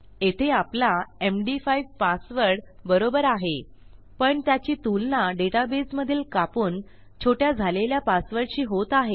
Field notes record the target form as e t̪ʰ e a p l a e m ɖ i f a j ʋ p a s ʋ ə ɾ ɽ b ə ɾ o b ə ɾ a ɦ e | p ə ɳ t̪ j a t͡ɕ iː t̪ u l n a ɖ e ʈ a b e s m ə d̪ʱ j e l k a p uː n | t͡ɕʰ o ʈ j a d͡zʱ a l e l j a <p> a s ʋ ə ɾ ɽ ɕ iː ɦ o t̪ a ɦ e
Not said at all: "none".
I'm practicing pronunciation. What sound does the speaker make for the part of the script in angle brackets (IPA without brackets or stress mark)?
p